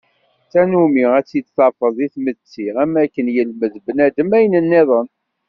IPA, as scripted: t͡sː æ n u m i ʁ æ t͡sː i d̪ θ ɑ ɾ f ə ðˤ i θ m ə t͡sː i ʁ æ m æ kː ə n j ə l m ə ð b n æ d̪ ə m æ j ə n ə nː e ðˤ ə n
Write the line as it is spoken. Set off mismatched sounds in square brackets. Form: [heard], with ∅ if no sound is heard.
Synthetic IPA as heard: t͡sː æ n u m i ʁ æ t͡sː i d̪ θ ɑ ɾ f ə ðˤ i θ m ə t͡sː i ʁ æ m æ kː ə n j ə l m ə ð b n æ d̪ ə m æ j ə n ə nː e ðˤ ə n

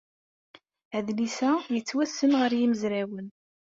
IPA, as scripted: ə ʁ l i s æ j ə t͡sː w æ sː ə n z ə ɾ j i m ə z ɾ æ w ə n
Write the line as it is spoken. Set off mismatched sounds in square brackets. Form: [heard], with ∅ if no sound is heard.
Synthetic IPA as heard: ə [ð] l i s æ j ə t͡sː w æ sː ə n [ʁ] ə ɾ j i m ə z ɾ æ w ə n

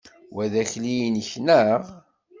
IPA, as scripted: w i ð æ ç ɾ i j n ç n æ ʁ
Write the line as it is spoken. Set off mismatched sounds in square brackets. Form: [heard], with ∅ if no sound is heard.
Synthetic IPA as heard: w [æ] ð æ ç [l] i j n ç n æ ʁ

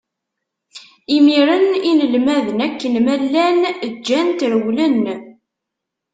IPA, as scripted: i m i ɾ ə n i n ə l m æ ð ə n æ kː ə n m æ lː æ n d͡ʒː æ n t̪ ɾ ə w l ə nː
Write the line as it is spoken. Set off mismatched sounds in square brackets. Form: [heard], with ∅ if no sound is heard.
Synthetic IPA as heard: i m i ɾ ə n i n ə l m æ ð ə n æ kː ə n m æ lː æ n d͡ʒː æ n t̪ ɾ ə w l ə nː

